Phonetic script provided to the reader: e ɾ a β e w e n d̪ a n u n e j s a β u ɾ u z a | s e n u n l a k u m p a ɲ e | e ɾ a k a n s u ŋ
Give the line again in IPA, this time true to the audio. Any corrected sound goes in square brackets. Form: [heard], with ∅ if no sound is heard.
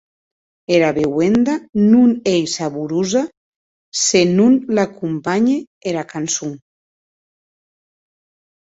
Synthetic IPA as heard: e ɾ a β e w e n d̪ a n u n e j s a β u ɾ u z a | s e n u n l a k u m p a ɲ e | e ɾ a k a n s u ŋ